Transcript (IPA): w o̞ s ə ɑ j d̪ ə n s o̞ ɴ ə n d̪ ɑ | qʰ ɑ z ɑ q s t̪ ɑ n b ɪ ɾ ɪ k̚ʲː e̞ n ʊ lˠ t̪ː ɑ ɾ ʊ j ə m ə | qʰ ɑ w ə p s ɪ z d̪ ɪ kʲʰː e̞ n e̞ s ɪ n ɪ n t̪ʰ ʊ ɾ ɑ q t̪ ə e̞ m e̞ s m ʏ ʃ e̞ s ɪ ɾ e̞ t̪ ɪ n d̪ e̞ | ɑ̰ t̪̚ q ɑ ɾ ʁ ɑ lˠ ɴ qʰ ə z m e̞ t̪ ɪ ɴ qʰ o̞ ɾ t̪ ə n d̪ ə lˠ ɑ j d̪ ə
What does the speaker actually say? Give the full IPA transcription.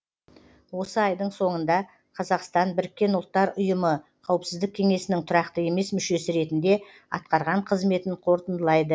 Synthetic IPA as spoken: w o̞ s ə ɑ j d̪ ə ɴ s o̞ ɴ ə n d̪ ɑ | qʰ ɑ z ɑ q s t̪ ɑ n b ɪ ɾ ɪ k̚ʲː e̞ n ʊ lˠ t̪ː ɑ ɾ ʊ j ə m ə | qʰ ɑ w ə p s ɪ z d̪ ɪ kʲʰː e̞ ŋ e̞ s ɪ n ɪ ŋ t̪ʰ ʊ ɾ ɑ q t̪ ə e̞ m e̞ s m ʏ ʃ e̞ s ɪ ɾ e̞ t̪ ɪ n d̪ e̞ | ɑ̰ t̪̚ q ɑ ɾ ʁ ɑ ɴ qʰ ə z m e̞ t̪ ɪ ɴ qʰ o̞ ɾ t̪ ə n d̪ ə lˠ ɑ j d̪ ə